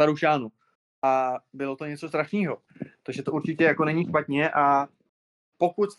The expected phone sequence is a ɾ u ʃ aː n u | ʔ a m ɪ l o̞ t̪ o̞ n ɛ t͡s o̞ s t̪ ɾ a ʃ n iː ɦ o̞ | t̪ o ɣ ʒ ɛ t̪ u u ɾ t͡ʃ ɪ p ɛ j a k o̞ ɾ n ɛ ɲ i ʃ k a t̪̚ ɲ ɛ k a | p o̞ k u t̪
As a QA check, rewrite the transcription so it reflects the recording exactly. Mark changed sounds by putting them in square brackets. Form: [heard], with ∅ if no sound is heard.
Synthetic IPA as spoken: a ɾ u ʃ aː n u | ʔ a [b] ɪ l o̞ t̪ o̞ [ɲ] ɛ t͡s o̞ s t̪ ɾ a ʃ n iː ɦ o̞ | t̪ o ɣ ʒ ɛ t̪ [o] u ɾ t͡ʃ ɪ [c] ɛ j a k o̞ [∅] n ɛ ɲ i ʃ [p] a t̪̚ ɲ ɛ [ʔ] a | p o̞ k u t̪